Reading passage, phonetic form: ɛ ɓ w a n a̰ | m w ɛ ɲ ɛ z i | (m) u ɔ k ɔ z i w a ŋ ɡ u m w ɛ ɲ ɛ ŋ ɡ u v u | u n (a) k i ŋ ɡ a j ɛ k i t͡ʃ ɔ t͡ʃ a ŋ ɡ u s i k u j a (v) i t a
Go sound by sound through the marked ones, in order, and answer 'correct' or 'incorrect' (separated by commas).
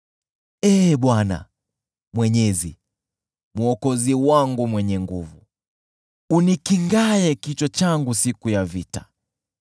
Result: correct, incorrect, correct